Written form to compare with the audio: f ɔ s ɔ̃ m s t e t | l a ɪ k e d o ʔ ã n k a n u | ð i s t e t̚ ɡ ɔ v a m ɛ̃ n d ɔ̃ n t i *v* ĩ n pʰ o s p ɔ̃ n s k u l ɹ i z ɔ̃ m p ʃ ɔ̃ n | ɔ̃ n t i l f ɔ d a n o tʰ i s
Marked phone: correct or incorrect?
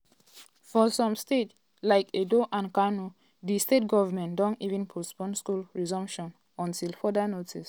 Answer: correct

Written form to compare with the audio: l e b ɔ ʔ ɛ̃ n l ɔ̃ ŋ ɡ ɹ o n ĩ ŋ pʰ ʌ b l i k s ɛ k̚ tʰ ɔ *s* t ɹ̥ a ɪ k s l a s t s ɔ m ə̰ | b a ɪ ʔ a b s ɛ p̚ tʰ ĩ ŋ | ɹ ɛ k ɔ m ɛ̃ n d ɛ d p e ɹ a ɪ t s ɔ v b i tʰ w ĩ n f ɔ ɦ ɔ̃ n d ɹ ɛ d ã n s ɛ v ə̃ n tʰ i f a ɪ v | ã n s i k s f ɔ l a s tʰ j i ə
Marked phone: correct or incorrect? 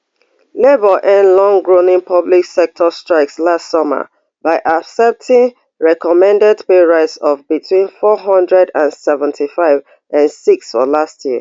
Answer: correct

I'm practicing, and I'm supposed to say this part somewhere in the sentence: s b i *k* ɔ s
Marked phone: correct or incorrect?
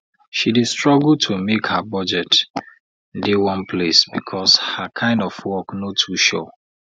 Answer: incorrect: kʰ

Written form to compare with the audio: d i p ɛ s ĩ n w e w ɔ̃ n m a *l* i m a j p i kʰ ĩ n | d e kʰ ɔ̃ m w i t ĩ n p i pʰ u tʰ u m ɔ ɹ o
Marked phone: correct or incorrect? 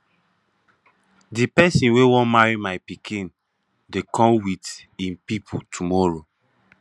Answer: incorrect: ɹ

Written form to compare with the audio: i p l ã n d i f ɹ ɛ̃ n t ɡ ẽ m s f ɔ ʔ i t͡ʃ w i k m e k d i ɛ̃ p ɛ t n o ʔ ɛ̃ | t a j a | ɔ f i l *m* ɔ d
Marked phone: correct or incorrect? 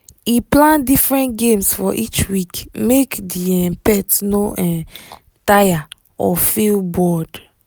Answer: incorrect: b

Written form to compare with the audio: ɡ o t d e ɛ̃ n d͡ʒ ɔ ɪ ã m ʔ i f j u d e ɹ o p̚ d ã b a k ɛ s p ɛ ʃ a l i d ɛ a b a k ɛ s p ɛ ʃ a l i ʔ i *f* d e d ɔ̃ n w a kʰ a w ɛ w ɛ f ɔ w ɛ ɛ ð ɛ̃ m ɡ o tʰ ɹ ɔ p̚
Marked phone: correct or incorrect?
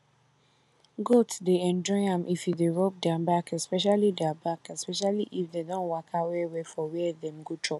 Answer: correct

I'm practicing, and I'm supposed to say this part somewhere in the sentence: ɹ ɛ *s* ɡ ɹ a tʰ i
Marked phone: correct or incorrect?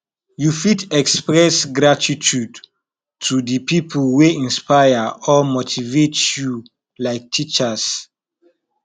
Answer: correct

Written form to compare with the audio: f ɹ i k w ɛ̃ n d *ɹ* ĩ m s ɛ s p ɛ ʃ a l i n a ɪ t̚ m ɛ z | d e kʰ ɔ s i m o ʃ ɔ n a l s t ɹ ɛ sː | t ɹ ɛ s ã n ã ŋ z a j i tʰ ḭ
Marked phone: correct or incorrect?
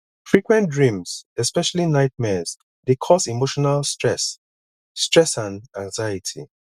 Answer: correct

